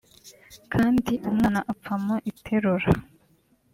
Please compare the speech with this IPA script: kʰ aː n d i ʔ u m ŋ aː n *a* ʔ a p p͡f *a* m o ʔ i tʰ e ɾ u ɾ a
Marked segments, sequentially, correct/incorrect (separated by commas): correct, correct